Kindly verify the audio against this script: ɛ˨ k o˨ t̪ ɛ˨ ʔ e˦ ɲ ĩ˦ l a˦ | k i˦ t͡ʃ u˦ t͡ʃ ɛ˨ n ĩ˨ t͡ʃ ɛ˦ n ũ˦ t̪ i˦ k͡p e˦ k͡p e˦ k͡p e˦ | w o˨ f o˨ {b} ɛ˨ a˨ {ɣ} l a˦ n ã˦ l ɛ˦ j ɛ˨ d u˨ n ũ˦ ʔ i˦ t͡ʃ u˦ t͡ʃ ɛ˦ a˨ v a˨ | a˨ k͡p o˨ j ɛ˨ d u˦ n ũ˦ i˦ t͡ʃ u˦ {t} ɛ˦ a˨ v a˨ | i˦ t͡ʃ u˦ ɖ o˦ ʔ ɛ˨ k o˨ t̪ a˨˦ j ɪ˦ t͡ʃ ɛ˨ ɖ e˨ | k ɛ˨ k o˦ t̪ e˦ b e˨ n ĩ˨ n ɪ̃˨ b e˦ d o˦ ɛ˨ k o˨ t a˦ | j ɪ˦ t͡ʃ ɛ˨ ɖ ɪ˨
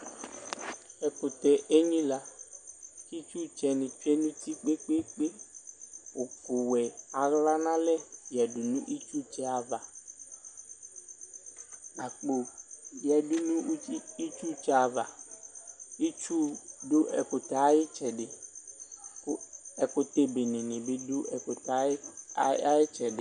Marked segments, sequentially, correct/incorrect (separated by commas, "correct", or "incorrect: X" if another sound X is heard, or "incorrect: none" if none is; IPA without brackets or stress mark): incorrect: w, correct, incorrect: t͡ʃ